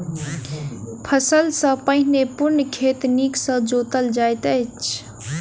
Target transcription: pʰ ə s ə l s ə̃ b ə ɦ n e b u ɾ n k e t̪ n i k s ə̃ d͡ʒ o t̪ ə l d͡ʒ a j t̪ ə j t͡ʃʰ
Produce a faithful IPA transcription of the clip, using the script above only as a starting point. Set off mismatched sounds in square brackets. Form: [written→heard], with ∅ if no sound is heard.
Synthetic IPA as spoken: pʰ ə s ə l s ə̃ [b→p] ə ɦ n e [b→p] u ɾ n [k→kʰ] e t̪ n i k s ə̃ d͡ʒ o t̪ ə l d͡ʒ a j t̪ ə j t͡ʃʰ